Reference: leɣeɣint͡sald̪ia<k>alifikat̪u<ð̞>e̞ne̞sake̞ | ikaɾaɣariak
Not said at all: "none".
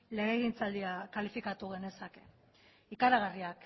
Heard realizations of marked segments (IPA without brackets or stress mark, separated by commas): k, ɣ̞